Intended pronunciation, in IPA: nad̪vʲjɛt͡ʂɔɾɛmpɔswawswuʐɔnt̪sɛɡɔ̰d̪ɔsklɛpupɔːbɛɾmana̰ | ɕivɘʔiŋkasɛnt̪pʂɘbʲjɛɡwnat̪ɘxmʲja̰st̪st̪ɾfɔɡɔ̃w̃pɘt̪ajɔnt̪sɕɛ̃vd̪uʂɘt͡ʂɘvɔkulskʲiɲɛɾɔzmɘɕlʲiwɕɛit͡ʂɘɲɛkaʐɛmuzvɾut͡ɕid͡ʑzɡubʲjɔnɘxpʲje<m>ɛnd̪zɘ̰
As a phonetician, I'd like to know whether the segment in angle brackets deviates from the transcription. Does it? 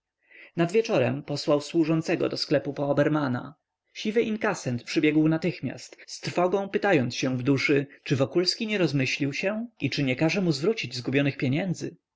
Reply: yes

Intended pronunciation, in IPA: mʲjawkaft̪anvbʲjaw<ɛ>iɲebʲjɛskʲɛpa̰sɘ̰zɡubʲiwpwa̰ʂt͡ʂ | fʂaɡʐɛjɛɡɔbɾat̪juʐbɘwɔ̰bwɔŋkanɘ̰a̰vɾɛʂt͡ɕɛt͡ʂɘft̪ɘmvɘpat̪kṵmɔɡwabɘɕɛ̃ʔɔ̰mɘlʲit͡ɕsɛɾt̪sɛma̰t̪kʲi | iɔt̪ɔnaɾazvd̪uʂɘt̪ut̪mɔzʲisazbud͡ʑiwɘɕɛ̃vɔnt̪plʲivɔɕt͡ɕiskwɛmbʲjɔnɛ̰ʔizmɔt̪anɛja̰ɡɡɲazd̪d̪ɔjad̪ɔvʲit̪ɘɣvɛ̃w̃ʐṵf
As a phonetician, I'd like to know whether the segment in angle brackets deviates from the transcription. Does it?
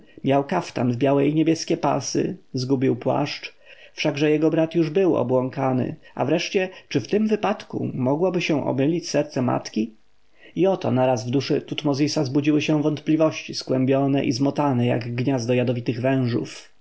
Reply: no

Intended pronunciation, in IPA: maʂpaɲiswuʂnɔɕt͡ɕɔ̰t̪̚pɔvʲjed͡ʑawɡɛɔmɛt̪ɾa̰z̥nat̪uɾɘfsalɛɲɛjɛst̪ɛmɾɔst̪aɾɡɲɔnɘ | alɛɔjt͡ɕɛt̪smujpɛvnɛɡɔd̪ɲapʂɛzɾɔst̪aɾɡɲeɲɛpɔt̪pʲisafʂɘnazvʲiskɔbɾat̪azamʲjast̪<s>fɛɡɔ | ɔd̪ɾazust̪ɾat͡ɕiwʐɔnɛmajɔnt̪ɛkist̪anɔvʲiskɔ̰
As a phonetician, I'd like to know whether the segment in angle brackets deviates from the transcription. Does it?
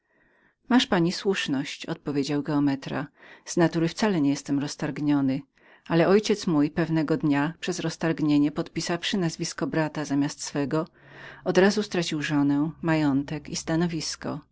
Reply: no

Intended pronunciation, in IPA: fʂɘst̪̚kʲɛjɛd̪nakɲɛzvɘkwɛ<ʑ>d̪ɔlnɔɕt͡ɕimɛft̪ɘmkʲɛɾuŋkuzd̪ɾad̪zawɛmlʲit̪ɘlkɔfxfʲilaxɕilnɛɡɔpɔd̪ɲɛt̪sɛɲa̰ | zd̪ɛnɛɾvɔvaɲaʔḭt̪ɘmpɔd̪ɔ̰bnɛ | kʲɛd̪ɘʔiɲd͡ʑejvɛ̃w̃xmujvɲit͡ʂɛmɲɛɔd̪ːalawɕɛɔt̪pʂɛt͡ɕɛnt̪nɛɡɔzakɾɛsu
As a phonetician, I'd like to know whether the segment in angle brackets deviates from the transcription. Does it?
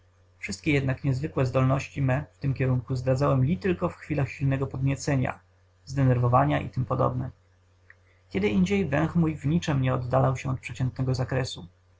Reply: yes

